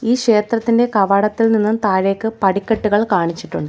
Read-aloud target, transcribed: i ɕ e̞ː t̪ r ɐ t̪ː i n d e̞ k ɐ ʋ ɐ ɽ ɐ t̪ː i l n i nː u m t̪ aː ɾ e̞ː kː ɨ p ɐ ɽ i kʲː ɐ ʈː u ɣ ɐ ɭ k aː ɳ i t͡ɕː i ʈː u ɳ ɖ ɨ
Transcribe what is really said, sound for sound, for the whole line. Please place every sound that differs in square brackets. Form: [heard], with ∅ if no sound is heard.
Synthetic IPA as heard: [iː] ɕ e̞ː t̪ r ɐ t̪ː i n d e̞ k ɐ ʋ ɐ ɽ ɐ t̪ː i l n i nː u m t̪ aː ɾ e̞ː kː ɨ p ɐ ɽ i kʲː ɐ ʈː u ɣ ɐ ɭ k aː ɳ i t͡ɕː i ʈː u ɳ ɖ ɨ